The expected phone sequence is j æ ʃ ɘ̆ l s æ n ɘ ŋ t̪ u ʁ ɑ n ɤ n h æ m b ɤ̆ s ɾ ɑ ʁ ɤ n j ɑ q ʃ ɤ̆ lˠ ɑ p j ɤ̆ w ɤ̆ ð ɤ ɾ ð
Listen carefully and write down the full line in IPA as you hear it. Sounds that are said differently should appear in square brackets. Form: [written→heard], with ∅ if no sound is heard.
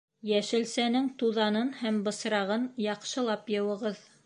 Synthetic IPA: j æ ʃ ɘ̆ l s æ n ɘ ŋ t̪ u [ʁ→ð] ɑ n ɤ n h æ m b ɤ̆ s ɾ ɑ ʁ ɤ n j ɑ q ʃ ɤ̆ lˠ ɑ p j ɤ̆ w ɤ̆ [ð→ʁ] ɤ [ɾ→∅] ð